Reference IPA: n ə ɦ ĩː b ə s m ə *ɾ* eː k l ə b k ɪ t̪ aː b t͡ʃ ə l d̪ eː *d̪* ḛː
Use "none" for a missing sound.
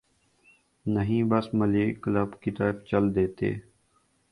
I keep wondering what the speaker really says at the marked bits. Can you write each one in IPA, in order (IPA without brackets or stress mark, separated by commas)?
l, t̪